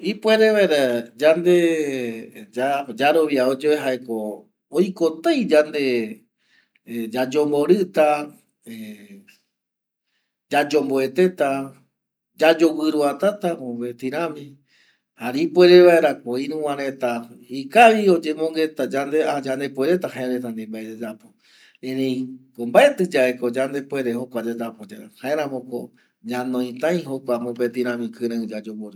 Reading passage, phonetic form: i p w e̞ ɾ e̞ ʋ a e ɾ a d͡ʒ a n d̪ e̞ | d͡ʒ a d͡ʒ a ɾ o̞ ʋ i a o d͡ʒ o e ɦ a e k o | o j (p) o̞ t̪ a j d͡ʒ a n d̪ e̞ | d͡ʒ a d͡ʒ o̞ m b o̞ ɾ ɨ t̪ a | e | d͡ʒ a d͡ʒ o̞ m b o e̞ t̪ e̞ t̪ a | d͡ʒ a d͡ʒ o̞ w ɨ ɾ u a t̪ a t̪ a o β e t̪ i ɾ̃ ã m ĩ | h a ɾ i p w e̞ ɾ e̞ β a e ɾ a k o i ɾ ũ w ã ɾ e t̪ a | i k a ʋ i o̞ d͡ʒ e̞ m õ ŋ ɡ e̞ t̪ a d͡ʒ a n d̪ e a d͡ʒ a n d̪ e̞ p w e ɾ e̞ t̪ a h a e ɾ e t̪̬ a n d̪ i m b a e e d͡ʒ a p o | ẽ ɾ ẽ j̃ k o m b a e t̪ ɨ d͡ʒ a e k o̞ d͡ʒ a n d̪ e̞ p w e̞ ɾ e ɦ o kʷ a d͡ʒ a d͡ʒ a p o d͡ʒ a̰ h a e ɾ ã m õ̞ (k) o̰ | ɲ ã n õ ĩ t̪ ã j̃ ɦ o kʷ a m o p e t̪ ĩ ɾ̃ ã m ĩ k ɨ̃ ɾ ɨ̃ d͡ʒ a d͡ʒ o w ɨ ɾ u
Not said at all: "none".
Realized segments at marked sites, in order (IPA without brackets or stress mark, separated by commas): k, k